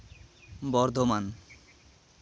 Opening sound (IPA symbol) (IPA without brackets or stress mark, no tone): b